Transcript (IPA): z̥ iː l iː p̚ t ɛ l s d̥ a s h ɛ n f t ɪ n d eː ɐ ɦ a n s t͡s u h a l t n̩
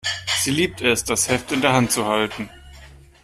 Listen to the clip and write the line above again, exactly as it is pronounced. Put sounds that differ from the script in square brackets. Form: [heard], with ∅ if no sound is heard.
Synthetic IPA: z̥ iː l iː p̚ t ɛ [∅] s d̥ a s h ɛ [∅] f t ɪ n d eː ɐ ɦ a n [t] t͡s u h a l t n̩